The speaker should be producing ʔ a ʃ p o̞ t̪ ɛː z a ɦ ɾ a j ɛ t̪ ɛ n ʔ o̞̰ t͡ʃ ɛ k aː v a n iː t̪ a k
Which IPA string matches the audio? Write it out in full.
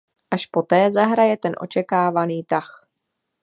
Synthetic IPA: ʔ a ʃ p o̞ t̪ ɛː z a ɦ ɾ a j ɛ t̪ ɛ n ʔ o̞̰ t͡ʃ ɛ k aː v a n iː t̪ a x